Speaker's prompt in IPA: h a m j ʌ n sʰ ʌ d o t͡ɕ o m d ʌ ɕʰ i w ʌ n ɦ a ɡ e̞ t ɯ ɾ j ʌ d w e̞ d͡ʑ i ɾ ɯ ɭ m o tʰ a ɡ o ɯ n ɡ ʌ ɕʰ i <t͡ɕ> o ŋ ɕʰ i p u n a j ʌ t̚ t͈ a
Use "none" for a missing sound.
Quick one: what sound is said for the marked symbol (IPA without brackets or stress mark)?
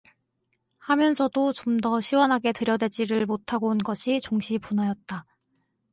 t͡ɕ